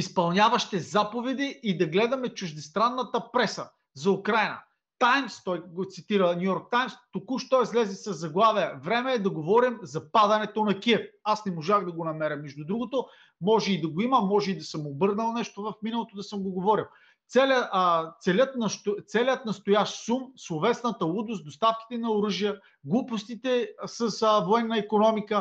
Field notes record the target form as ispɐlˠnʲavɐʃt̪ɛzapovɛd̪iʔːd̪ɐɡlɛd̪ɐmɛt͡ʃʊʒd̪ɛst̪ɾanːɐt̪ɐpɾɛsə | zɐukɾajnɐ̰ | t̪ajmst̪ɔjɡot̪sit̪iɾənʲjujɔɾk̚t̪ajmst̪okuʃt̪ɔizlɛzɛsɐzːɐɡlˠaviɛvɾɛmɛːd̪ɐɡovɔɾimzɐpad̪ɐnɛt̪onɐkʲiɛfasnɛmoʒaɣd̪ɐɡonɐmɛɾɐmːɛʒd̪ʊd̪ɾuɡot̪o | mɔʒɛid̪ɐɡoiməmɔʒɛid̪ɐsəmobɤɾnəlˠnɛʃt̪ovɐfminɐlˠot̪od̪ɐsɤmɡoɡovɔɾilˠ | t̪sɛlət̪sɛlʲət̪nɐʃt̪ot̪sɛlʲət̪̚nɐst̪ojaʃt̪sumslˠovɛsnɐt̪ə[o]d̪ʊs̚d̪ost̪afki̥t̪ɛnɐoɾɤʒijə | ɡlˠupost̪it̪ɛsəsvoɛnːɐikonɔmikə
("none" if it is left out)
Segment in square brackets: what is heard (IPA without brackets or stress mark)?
u